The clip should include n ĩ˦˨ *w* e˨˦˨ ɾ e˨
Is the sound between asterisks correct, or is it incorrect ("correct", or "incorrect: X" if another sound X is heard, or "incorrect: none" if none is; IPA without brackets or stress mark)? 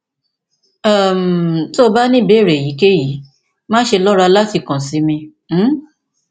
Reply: incorrect: b